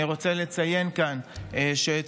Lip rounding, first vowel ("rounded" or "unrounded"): rounded